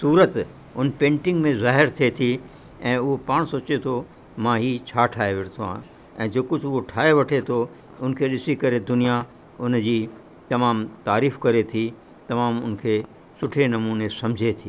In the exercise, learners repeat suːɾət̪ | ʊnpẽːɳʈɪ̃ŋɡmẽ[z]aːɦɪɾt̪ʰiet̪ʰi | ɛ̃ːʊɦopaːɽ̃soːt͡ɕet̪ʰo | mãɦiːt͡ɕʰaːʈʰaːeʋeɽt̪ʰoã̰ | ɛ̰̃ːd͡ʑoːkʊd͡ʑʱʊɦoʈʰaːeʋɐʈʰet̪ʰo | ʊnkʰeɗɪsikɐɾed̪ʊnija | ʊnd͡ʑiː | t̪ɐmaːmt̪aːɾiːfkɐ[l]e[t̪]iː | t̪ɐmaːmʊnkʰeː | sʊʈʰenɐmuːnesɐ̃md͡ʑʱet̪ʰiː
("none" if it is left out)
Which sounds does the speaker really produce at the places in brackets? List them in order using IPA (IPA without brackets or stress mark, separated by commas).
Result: z, ɾ, t̪ʰ